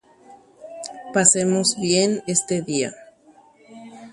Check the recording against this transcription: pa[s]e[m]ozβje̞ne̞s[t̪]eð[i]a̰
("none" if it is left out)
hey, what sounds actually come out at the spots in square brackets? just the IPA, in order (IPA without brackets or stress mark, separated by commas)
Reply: s, m, t̪, i